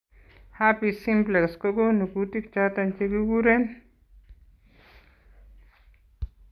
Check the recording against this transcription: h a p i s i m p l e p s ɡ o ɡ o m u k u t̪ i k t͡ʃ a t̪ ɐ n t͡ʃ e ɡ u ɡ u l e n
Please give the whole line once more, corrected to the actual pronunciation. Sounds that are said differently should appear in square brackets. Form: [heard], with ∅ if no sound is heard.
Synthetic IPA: h a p i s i m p l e [k] s [k] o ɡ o [n] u k u t̪ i k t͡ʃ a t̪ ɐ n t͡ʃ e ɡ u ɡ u [ɾ] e n